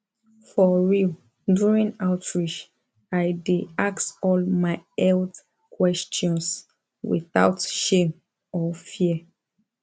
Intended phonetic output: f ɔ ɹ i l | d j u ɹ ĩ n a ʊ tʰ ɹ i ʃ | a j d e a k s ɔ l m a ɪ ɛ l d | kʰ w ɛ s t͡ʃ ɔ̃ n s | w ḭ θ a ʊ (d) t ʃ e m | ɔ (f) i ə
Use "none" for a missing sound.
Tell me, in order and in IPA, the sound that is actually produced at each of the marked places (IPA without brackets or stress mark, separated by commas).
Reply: none, f